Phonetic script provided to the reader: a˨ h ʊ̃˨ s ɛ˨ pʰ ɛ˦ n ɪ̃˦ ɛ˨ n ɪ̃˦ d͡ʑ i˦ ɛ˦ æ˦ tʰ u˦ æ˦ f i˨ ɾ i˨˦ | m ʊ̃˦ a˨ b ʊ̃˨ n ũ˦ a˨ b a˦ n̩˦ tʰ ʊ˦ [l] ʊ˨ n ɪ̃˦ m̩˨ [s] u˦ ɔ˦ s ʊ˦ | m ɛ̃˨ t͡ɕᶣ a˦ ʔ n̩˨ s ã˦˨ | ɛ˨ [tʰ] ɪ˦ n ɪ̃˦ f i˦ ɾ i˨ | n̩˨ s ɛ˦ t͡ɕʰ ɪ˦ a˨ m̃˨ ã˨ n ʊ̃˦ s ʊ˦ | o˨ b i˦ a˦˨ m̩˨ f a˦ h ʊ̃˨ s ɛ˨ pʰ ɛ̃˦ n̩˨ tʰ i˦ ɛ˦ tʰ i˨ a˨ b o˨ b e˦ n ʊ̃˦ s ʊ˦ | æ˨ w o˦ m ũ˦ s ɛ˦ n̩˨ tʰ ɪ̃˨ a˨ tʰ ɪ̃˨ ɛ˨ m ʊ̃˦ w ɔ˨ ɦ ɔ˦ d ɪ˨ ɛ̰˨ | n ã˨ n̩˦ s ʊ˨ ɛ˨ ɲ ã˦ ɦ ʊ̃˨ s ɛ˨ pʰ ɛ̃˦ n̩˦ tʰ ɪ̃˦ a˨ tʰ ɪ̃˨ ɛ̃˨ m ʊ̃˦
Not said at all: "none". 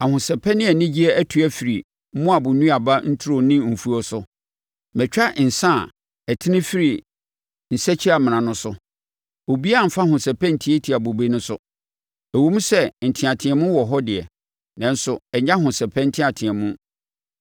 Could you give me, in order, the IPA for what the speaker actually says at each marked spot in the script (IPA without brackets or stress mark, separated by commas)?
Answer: ɾ, f, tʰ